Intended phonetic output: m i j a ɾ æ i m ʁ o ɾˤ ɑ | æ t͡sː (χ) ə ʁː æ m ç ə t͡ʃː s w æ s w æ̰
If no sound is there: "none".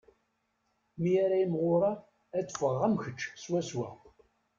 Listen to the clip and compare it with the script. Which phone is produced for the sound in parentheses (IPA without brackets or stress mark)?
f